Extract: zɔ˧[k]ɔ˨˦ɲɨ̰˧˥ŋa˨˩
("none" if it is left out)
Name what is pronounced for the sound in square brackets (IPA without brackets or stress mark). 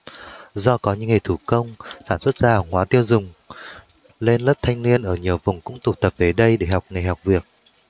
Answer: k